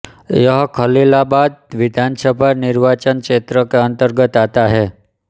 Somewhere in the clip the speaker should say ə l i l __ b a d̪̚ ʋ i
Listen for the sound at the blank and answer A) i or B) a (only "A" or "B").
B